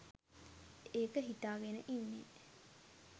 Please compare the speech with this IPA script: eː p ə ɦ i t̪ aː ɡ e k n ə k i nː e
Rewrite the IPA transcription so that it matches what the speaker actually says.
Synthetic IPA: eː k ə ɦ i t̪ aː ɡ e n ə ʔ i nː e